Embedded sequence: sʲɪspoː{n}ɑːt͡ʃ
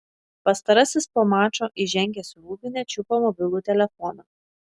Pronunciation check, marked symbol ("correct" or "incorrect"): incorrect